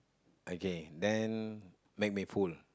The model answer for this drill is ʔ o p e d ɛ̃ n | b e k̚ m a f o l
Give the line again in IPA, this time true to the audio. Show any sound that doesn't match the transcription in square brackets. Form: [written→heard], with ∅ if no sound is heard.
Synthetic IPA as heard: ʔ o [p→k] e d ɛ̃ n | [b→m] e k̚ m [a→i] f [o→u] l